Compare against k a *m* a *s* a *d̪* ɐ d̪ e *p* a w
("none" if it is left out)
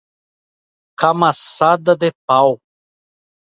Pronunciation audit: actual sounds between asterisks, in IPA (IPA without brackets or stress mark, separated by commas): m, s, d̪, p